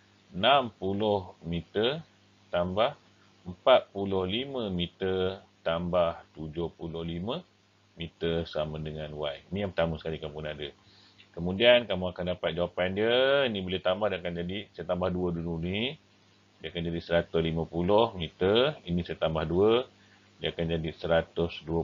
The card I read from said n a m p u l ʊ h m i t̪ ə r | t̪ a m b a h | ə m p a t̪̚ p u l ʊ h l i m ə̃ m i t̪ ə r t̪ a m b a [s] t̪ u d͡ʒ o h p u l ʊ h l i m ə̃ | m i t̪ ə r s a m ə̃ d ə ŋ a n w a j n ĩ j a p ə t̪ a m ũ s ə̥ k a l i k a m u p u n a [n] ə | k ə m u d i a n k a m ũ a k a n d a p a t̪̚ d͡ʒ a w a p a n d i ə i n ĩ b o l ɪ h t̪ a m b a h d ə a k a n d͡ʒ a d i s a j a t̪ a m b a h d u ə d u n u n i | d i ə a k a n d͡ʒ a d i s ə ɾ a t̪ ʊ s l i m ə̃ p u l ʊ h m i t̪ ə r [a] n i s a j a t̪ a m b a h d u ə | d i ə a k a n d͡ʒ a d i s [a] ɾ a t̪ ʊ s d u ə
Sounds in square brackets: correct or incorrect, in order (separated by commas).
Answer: incorrect, incorrect, incorrect, incorrect